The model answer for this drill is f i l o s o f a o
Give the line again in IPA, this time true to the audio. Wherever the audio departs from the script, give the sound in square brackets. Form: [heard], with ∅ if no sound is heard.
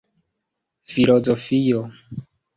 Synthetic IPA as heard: f i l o [z] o f [i] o